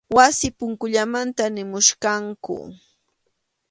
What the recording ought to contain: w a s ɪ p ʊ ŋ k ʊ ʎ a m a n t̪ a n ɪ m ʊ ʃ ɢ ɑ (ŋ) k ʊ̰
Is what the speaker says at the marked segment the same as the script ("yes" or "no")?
yes